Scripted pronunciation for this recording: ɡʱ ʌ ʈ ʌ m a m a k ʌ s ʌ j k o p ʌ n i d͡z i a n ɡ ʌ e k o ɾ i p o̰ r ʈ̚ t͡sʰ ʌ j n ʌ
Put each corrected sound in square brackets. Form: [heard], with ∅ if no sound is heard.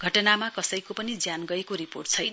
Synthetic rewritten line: ɡʱ ʌ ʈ ʌ [n] a m a k ʌ s ʌ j k o p ʌ n i d͡z [j] a n ɡ ʌ e k o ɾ i p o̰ r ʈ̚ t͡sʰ ʌ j n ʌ

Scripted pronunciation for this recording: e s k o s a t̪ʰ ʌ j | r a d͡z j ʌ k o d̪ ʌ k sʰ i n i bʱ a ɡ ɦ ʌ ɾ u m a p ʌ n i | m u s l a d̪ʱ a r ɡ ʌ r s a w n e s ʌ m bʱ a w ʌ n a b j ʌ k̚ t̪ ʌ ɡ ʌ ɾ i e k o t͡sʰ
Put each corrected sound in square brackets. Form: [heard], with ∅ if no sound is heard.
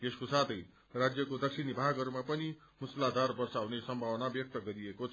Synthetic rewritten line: e s k o s a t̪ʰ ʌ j | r a d͡z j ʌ k o d̪ ʌ k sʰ i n i bʱ a ɡ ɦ ʌ ɾ u m a p ʌ n i | m u s l a d̪ʱ a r [b] ʌ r s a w n e s ʌ m bʱ a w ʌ n a b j ʌ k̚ t̪ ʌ ɡ ʌ ɾ i e k o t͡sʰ

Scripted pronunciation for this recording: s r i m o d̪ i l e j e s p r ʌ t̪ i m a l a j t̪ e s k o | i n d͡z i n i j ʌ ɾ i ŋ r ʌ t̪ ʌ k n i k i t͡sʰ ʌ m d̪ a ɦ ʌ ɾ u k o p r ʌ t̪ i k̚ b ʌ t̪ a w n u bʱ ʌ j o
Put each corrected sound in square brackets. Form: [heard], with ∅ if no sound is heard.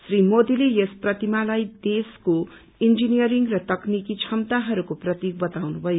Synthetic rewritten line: s r i m o d̪ i l e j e s p r ʌ t̪ i m a l a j [d̪] e s k o | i n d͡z i n i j ʌ ɾ i ŋ r ʌ t̪ ʌ k n i k i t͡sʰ ʌ m [t̪] a ɦ ʌ ɾ u k o p r ʌ t̪ i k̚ b ʌ t̪ a w n u bʱ ʌ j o

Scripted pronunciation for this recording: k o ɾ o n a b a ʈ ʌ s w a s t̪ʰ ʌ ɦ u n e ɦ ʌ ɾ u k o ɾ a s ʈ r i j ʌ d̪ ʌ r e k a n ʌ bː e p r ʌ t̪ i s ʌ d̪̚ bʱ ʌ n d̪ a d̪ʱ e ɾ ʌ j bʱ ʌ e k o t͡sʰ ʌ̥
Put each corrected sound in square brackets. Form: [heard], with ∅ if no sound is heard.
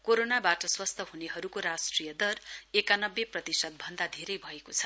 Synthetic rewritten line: k o ɾ o n a b a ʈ ʌ s w [ʌ] s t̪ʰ ʌ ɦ u n e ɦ ʌ ɾ u k o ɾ a s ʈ r i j ʌ d̪ ʌ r e k a n ʌ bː e p r ʌ t̪ i s ʌ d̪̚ bʱ ʌ n d̪ a d̪ʱ e ɾ ʌ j bʱ ʌ e k o t͡sʰ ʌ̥

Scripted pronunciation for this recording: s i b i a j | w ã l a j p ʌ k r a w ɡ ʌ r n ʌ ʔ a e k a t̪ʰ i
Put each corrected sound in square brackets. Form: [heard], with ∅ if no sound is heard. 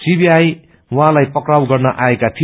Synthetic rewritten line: s i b i a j | w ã l a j p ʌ k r a w ɡ ʌ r n ʌ ʔ a e k a t̪ʰ i

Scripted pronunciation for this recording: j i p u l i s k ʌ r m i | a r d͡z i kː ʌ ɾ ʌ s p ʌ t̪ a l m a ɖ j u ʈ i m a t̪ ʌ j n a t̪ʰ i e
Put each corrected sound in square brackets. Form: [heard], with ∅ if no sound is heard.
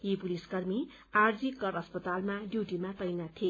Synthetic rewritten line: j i p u l i s k ʌ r m i | a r d͡z i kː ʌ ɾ ʌ s p ʌ t̪ a l m a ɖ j u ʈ i m a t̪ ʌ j n a t̪ʰ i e

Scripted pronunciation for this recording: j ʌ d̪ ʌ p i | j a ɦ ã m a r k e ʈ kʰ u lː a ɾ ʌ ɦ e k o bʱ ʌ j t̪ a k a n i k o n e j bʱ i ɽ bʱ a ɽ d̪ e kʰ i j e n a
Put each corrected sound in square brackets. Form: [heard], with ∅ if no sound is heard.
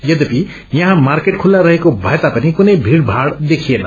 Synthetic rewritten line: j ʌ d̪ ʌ p i | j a ɦ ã m a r k e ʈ kʰ u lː a ɾ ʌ ɦ e k o bʱ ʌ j t̪ a [p] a n i k [u] n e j bʱ i ɽ bʱ a ɽ d̪ e kʰ i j e n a

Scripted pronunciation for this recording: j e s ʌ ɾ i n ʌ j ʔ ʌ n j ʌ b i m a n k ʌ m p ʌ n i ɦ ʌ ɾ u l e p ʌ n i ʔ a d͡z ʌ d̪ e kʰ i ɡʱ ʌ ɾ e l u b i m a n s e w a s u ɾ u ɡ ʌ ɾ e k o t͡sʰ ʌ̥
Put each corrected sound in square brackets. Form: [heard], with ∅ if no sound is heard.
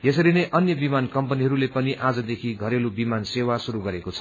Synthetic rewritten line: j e s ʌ ɾ i n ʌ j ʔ ʌ n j ʌ b i m a n k ʌ m p ʌ n i ɦ ʌ ɾ u l e p ʌ n i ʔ a d͡z ʌ d̪ e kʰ i ɡʱ ʌ ɾ e l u b i m a n s e w a s u ɾ u ɡ ʌ ɾ e k o t͡sʰ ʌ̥

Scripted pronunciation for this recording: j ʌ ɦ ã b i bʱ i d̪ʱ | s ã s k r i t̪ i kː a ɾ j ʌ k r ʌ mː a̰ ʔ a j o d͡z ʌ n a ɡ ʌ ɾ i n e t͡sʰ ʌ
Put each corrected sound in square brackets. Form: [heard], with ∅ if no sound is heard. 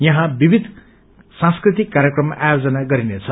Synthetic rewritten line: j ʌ ɦ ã b i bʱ i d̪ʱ | s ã s k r i t̪ i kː a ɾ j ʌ k r ʌ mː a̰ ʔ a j o d͡z ʌ n a ɡ ʌ ɾ i n e t͡sʰ ʌ

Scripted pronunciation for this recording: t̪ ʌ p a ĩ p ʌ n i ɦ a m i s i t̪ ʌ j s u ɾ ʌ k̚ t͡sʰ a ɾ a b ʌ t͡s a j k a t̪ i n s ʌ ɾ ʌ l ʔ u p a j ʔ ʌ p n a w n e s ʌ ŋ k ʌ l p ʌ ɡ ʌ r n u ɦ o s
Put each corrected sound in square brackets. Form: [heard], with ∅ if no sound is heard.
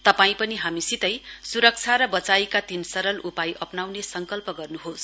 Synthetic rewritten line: t̪ ʌ p a ĩ p ʌ n i ɦ a m i s i t̪ ʌ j s u ɾ ʌ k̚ t͡sʰ a ɾ [ʌ] b ʌ t͡s a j k a t̪ i n s ʌ ɾ ʌ l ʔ u p a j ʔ ʌ p n a w n e s ʌ ŋ k ʌ l p ʌ ɡ ʌ r n u ɦ o s

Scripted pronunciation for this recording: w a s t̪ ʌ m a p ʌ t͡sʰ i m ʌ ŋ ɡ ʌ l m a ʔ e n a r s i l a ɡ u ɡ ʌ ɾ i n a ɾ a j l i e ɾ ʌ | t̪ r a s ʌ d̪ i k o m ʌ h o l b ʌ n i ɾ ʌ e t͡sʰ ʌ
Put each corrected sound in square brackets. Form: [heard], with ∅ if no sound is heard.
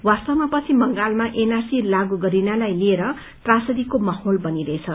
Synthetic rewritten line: w a s t̪ ʌ m a p ʌ t͡sʰ i m ʌ ŋ ɡ [a] l m a ʔ e n a r s i l a ɡ u ɡ ʌ ɾ i n a [l] a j l i e ɾ ʌ | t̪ r a s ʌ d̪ i k o m ʌ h o l b ʌ n i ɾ ʌ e t͡sʰ ʌ

